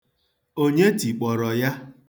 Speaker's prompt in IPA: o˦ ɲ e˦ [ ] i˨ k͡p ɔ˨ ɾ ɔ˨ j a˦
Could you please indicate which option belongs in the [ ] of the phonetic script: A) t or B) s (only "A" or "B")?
A